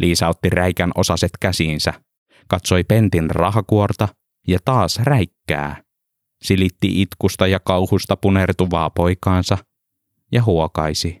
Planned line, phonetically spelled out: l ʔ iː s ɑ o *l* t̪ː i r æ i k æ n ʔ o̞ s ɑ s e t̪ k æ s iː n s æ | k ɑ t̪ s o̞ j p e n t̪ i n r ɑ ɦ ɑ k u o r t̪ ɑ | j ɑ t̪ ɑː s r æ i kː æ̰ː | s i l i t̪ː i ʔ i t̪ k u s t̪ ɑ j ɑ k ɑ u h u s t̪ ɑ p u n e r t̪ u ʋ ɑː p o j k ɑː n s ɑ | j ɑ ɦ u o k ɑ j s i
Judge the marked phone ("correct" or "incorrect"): incorrect